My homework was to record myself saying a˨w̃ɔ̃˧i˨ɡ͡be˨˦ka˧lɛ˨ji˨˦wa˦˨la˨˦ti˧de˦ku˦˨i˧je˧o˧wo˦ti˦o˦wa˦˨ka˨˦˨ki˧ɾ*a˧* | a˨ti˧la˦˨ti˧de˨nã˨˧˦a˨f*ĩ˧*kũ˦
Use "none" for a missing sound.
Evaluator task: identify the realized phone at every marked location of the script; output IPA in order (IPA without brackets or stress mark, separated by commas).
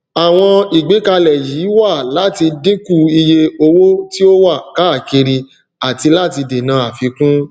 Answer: i˧, i˧